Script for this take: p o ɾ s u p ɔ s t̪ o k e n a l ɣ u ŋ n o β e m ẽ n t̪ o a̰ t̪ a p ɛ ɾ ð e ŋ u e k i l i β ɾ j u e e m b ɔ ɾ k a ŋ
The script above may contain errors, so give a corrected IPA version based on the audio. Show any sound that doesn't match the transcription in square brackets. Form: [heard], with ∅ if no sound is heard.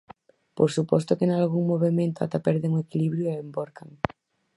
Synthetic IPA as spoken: p o ɾ s u p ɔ s t̪ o k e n a l ɣ u ŋ [m] o β e m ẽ n t̪ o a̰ t̪ a p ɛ ɾ ð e ŋ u e k i l i β ɾ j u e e m b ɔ ɾ k a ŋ